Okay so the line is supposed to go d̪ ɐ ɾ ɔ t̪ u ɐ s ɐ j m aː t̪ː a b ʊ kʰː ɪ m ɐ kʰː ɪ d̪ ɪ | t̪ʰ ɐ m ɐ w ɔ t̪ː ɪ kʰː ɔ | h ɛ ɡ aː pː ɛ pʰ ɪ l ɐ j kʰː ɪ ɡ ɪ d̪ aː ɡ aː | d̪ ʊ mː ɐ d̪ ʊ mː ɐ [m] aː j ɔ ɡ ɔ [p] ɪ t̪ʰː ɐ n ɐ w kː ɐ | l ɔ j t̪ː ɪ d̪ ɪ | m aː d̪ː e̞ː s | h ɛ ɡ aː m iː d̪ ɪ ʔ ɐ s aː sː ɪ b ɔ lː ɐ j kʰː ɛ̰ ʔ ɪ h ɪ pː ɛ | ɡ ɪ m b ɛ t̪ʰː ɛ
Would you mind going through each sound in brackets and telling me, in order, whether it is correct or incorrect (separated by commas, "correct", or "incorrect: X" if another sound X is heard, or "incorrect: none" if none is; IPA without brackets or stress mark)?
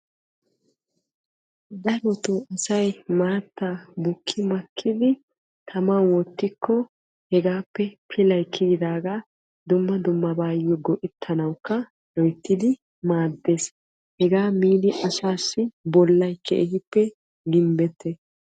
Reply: incorrect: b, incorrect: ʔ